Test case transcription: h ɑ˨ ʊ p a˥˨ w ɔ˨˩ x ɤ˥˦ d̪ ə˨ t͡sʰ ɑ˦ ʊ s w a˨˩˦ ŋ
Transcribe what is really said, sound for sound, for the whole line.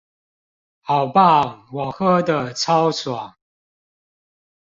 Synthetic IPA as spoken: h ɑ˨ ʊ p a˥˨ w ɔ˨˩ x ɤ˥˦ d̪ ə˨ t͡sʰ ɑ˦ ʊ s w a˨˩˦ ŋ

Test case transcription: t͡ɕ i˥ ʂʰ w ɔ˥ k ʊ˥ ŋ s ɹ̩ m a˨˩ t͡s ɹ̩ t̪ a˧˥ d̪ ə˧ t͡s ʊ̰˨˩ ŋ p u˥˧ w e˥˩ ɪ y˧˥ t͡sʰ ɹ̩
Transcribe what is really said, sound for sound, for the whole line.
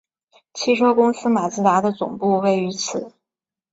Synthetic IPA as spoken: t͡ɕʰ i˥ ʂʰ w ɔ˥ k ʊ˥ ŋ s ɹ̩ m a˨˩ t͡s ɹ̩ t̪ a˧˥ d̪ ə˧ t͡s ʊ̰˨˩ ŋ p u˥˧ w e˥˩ ɪ y˧˥ t͡sʰ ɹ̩

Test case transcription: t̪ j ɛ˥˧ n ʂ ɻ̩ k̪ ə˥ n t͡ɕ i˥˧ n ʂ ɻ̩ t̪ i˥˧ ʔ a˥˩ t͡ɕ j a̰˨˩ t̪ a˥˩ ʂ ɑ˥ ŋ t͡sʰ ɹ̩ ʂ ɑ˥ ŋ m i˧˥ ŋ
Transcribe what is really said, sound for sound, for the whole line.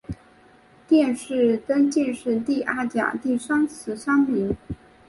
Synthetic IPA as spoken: t̪ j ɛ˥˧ n ʂ ɻ̩ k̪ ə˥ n t͡ɕ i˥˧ n ʂ ɻ̩ t̪ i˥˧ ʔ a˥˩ t͡ɕ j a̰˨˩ t̪ i˥˩ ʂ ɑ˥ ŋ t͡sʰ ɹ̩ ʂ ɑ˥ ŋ m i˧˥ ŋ

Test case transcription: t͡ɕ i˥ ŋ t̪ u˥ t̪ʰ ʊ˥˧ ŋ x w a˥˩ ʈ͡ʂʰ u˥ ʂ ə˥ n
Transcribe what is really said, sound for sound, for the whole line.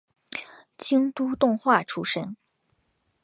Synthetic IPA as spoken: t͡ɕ i˥ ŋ t̪ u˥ t̪ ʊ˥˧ ŋ x w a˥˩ ʈ͡ʂʰ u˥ ʂ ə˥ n

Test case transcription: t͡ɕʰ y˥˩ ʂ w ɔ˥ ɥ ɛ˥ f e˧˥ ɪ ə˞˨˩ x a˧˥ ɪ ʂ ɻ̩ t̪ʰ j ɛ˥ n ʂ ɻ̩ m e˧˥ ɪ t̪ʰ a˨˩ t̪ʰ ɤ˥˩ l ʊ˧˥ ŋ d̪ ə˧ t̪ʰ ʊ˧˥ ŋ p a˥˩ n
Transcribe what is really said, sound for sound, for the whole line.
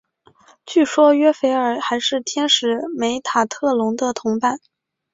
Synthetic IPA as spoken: t͡ɕ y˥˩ ʂ w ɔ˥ ɥ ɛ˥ f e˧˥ ɪ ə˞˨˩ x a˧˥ ɪ ʂ ɻ̩ t̪ʰ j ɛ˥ n ʂ ɻ̩ m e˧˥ ɪ t̪ʰ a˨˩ t̪ʰ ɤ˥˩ l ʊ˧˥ ŋ d̪ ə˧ t̪ʰ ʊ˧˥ ŋ p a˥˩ n

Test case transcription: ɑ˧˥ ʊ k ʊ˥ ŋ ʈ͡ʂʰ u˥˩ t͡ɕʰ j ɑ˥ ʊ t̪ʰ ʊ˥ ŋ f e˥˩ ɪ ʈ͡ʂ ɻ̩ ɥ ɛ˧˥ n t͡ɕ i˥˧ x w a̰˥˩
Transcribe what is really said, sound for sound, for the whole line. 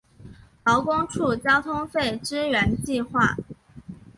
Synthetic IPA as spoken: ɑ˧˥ ʊ k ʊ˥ ŋ ʈ͡ʂʰ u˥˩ t͡ɕ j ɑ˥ ʊ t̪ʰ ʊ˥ ŋ f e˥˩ ɪ ʈ͡ʂ ɻ̩ ɥ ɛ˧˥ n t͡ɕ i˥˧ x w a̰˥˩

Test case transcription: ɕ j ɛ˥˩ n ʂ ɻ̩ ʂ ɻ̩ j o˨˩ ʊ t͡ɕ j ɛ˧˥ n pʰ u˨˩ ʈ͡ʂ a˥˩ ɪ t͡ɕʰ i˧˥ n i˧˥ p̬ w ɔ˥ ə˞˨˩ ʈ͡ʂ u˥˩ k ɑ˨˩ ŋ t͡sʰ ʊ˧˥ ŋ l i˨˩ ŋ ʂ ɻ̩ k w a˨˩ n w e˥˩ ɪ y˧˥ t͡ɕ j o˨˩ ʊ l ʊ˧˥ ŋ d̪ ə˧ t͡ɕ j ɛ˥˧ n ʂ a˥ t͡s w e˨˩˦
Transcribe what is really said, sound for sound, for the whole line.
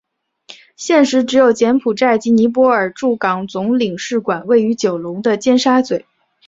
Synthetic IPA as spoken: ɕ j ɛ˥˩ n ʂ ɻ̩ ʈ͡ʂ ɻ̩ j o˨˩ ʊ t͡ɕ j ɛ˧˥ n pʰ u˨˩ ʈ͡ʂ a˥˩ ɪ t͡ɕ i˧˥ n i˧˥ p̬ w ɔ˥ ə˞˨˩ ʈ͡ʂ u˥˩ k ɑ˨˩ ŋ t͡s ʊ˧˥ ŋ l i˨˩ ŋ ʂ ɻ̩ k w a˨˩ n w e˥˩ ɪ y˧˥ t͡ɕ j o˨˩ ʊ l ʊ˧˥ ŋ d̪ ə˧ t͡ɕ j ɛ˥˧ n ʂ a˥ t͡s w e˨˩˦

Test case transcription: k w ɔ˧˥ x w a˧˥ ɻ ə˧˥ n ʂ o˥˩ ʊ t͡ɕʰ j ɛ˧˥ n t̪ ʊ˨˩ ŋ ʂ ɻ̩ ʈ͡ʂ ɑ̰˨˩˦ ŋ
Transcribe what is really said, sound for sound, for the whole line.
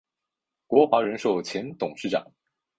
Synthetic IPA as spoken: k w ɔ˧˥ x w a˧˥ ɻ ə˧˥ n ʂ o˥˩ ʊ t͡ɕʰ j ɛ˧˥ n t̪ ʊ˨˩ ŋ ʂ ɻ̩ ʈ͡ʂ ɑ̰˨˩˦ ŋ

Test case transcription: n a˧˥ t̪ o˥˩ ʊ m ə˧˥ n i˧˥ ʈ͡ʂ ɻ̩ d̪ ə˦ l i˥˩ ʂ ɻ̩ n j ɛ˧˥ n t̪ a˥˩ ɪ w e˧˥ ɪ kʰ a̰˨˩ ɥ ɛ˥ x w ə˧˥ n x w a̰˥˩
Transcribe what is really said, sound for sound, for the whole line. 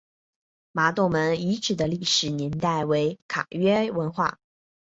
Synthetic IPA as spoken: m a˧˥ t̪ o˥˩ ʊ m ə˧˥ n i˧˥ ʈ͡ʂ ɻ̩ d̪ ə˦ l i˥˩ ʂ ɻ̩ n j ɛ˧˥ n t̪ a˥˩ ɪ w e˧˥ ɪ kʰ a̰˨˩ ɥ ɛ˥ w ə˧˥ n x w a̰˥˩

